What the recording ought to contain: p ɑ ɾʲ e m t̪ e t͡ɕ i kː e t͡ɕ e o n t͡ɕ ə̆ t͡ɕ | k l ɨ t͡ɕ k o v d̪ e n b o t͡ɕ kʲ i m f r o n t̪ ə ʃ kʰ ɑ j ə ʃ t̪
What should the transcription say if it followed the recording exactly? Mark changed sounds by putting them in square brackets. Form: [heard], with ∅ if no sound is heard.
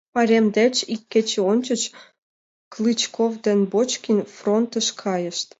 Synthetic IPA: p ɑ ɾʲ e m [d̪] e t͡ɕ i kː e t͡ɕ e o n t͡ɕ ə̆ t͡ɕ | k l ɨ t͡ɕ k o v d̪ e n b o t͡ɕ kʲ i [n] f r o n t̪ ə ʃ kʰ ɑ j ə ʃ t̪